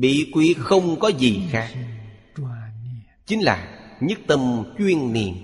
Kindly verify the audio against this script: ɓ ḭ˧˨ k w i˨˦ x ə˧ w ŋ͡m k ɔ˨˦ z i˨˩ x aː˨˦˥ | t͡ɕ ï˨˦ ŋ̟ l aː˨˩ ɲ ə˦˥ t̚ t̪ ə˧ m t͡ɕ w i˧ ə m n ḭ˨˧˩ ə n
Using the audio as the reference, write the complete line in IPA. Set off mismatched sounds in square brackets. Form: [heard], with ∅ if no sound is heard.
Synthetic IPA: ɓ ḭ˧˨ k w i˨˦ x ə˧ w ŋ͡m k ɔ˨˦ z i˨˩ x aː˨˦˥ | t͡ɕ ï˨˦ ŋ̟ l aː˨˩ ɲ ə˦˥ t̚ t̪ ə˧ m t͡ɕ w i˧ ə [n] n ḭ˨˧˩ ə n